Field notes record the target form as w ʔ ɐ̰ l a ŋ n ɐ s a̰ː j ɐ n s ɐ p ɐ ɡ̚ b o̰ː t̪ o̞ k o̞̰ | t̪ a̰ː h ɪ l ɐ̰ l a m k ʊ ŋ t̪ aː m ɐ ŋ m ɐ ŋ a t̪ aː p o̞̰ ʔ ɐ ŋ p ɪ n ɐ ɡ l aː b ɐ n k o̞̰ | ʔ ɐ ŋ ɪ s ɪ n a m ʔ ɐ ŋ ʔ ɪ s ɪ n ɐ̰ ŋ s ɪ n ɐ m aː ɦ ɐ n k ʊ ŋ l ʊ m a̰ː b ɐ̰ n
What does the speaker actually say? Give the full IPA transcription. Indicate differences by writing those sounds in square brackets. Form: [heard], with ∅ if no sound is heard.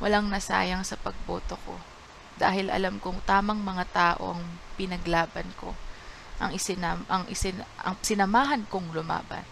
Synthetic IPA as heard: w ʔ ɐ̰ l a ŋ n ɐ s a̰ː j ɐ [ŋ] s ɐ p ɐ ɡ̚ b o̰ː t̪ o̞ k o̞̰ | [d̪] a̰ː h ɪ l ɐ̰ l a m k ʊ ŋ t̪ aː m ɐ ŋ m ɐ ŋ a t̪ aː [ʔ] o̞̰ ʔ ɐ ŋ p ɪ n ɐ ɡ l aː b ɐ n k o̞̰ | ʔ ɐ ŋ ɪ s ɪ n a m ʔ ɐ ŋ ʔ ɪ s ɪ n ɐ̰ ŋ s ɪ n ɐ m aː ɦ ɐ n k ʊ ŋ l ʊ m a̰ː b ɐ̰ n